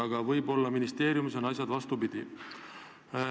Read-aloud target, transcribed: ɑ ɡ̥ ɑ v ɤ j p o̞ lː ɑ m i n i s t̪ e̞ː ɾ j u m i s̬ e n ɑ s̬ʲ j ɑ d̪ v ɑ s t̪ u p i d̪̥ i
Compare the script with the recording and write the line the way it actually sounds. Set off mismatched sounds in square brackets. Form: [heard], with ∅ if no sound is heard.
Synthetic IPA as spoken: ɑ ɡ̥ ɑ v ɤ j [b] o̞ lː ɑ m i n i s t̪ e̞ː ɾ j u m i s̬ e n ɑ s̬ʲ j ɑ d̪ v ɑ s t̪ u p i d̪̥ i

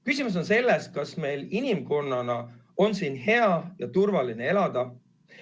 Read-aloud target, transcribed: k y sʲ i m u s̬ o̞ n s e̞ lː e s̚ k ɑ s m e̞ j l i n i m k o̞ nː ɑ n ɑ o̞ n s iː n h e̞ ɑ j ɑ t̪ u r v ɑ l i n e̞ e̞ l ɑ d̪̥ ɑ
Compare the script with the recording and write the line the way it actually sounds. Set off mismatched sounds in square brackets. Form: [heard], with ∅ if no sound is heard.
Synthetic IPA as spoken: k y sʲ i m u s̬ o̞ n s e̞ lː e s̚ k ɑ s m e̞ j l i n i m k o̞ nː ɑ n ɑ o̞ n s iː n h e̞ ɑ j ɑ t̪ u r v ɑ l i n e̞ e̞ l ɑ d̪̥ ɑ

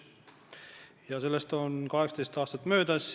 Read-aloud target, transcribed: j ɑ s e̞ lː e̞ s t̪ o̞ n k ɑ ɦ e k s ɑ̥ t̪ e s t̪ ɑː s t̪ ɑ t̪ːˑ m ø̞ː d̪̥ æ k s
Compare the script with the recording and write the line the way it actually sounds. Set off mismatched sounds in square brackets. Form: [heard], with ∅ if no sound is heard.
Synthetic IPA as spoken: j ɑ s e̞ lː e̞ s t̪ o̞ n k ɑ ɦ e k s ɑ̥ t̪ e s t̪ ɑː s t̪ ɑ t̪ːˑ m ø̞ː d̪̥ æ [∅] s

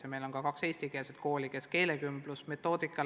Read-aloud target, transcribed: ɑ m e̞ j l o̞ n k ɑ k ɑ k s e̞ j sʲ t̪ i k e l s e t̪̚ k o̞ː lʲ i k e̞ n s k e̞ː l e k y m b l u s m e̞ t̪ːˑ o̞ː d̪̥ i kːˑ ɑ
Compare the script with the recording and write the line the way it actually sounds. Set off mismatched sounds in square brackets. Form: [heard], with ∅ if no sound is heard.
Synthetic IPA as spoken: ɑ m e̞ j l o̞ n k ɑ k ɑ k s e̞ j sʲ t̪ i k e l s e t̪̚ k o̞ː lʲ i k e̞ [∅] s k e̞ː l e k y m b l u s m e̞ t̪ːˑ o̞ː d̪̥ i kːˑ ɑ

